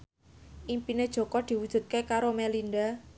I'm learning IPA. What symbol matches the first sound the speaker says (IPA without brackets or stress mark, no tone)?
ʔ